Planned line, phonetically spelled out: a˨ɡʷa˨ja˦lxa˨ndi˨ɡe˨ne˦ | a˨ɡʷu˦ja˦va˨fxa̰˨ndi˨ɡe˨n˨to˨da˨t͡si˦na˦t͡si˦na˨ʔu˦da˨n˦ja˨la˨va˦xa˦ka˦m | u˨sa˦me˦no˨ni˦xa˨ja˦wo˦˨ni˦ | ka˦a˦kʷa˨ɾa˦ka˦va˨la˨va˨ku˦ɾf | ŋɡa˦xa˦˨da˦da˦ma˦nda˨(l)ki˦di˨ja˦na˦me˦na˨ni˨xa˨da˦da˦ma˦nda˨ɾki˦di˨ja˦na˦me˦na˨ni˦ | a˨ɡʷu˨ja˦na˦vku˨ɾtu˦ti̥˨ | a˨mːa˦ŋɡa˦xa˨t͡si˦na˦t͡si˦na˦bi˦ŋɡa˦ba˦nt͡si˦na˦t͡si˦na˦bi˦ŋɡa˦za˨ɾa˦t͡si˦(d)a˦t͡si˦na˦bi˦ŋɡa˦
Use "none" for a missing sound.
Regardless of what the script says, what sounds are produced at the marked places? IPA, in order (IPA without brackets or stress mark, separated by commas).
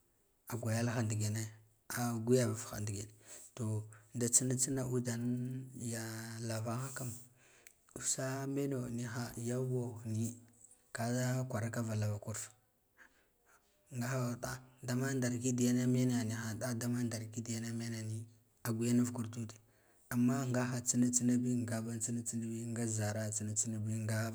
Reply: ɾ, n